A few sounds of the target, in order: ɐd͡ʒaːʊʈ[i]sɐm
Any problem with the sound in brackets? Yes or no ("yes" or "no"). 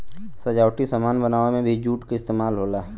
no